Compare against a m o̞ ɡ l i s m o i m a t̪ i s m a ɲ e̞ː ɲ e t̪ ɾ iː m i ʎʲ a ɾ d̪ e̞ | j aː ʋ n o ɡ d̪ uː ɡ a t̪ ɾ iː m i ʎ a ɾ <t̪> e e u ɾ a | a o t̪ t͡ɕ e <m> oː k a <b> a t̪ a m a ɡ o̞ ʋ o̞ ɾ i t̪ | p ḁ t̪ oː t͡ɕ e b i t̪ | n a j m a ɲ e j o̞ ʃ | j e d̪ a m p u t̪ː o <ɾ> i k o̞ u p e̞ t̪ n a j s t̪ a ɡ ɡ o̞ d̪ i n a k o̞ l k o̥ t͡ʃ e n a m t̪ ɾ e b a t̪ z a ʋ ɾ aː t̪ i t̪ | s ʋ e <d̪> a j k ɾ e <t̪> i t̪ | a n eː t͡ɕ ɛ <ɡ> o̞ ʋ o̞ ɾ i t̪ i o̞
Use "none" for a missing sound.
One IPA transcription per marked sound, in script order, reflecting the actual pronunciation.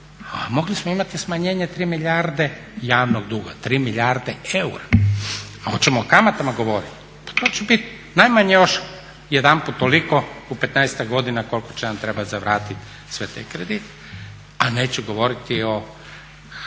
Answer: d̪, m, m, l, t̪, d̪, ɡ

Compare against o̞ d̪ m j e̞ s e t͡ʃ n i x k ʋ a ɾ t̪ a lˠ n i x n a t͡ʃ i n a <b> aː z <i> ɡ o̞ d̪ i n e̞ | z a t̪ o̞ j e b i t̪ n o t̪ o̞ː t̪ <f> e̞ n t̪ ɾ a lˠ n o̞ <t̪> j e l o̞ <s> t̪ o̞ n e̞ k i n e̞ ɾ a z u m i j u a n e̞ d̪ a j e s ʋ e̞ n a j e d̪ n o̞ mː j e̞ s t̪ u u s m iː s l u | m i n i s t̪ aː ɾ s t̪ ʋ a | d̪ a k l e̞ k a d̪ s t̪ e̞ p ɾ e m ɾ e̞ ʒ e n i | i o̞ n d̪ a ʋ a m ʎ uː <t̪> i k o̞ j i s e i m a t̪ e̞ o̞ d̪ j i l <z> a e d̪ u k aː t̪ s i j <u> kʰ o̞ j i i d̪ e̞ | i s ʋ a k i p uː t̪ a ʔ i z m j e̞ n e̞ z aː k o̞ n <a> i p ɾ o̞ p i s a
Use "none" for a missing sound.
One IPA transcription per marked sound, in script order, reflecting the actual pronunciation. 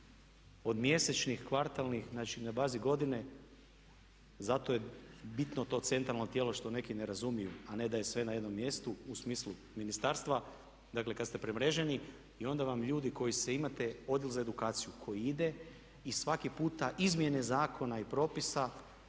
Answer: b, i, s, t̪, ʃ, d̪, z, u, a

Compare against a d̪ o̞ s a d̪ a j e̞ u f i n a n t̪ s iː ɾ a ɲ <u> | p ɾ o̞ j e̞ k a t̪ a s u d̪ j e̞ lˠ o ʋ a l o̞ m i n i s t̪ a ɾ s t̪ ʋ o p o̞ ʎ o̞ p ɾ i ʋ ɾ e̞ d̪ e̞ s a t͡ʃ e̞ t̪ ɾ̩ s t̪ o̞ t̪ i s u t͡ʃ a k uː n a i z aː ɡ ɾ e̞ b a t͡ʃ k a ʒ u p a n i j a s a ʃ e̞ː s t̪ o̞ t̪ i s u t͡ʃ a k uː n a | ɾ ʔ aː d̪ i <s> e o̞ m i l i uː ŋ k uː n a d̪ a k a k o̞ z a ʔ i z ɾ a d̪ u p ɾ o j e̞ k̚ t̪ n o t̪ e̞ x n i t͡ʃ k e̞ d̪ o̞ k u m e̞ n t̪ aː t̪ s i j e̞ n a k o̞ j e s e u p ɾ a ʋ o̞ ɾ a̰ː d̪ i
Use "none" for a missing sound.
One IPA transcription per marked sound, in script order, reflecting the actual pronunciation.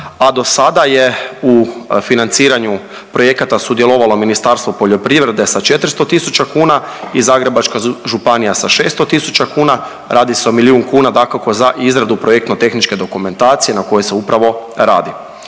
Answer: u, s

